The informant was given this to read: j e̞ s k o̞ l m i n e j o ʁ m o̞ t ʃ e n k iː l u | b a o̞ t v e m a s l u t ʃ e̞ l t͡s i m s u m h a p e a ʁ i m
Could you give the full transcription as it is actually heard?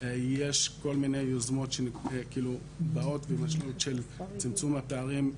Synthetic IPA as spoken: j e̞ ʃ k o̞ l m i n e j o z m o̞ t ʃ e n k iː l u | b a o̞ t v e m a ʃ l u t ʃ e̞ l t͡s i m t͡s u m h a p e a ʁ i m